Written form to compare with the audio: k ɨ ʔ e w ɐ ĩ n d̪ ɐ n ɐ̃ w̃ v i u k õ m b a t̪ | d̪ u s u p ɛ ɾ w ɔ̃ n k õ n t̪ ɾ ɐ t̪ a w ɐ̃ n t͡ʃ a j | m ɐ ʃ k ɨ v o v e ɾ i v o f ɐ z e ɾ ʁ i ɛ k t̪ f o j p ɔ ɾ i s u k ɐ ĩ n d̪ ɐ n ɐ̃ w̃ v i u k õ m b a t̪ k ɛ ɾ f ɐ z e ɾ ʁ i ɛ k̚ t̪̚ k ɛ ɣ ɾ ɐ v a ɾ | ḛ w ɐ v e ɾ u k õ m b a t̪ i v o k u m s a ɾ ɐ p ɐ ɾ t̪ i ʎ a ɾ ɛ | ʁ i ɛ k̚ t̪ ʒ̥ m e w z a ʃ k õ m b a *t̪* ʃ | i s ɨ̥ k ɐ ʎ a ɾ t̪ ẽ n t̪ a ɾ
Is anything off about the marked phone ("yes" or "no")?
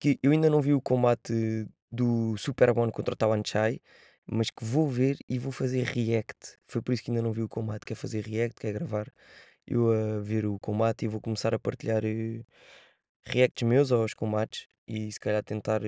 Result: no